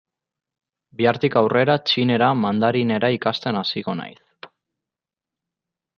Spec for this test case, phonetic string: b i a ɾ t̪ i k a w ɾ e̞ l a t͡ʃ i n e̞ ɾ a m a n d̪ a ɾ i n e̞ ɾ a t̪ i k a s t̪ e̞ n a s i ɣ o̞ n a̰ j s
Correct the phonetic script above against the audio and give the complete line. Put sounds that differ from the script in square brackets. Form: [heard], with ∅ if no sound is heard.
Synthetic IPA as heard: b i a ɾ t̪ i k a w [r] e̞ [ɾ] a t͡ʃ i n e̞ ɾ a m a n d̪ a ɾ i n e̞ ɾ a [∅] i k a s t̪ e̞ n a s i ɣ o̞ n a̰ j s